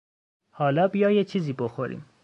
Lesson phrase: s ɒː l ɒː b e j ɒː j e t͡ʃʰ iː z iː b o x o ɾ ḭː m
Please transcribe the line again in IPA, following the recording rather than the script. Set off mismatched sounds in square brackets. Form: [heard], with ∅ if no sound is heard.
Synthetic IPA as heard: [h] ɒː l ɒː b [i] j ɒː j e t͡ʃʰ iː z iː b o x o ɾ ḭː m